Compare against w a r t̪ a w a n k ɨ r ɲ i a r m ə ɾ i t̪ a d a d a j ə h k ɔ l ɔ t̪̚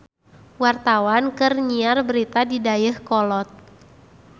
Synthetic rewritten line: w a r t̪ a w a n k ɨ r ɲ i a r b ə ɾ i t̪ a d i d a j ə h k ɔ l ɔ t̪̚